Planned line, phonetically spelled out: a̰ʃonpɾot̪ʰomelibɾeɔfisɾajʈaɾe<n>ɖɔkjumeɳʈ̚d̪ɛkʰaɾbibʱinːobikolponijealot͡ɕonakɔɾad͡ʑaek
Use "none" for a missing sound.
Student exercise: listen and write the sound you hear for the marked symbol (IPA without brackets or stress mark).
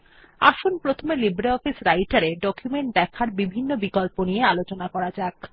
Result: none